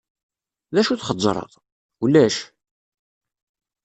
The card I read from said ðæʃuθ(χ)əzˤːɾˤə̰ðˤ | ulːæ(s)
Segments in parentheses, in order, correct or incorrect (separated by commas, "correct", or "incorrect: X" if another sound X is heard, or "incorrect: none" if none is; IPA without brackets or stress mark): correct, incorrect: ʃ